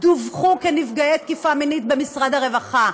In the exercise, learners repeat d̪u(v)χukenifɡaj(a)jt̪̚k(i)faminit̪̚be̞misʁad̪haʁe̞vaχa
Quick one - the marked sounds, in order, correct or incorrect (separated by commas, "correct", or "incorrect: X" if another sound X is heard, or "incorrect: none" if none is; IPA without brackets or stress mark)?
correct, incorrect: e, correct